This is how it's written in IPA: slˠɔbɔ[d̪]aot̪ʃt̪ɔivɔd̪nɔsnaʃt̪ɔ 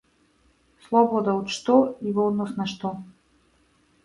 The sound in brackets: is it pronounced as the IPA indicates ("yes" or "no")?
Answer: yes